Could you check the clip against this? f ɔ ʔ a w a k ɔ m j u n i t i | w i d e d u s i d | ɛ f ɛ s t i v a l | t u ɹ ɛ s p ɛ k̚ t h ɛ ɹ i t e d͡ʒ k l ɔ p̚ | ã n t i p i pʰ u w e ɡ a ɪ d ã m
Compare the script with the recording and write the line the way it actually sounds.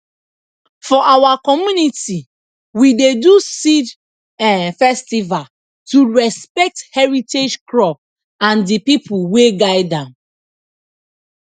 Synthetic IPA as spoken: f ɔ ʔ a w a k ɔ m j u n i t i | w i d e d u s i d | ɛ f ɛ s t i v a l | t u ɹ ɛ s p ɛ k̚ t h ɛ ɹ i t e d͡ʒ k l ɔ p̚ | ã n d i p i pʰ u w e ɡ a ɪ d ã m